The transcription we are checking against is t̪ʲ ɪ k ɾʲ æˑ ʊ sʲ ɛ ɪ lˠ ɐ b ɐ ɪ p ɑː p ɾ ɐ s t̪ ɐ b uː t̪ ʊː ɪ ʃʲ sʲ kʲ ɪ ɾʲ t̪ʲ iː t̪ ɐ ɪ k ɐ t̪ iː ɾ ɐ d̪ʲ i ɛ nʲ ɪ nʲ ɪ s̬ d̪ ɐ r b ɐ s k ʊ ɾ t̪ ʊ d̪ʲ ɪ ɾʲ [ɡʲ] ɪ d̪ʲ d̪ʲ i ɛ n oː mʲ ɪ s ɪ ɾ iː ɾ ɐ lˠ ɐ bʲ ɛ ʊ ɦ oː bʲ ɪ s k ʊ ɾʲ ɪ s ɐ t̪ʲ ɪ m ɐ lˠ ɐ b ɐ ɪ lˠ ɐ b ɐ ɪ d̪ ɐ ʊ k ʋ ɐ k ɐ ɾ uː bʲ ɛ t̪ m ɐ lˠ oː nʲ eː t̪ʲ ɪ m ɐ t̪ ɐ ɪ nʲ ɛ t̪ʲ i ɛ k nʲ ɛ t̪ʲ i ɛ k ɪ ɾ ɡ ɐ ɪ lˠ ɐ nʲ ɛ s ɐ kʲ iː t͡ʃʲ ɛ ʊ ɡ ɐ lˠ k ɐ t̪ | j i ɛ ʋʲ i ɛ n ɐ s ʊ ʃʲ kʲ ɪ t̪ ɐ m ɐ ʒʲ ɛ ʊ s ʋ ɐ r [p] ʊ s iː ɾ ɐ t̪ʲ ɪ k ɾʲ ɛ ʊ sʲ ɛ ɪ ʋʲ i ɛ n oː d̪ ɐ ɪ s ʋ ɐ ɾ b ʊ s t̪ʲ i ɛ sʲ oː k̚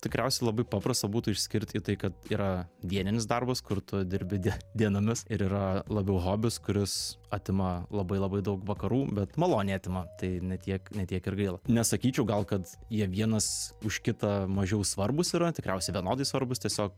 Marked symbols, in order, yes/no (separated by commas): no, no